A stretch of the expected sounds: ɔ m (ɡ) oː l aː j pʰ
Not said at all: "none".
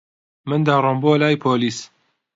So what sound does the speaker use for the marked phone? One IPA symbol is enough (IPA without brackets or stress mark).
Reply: b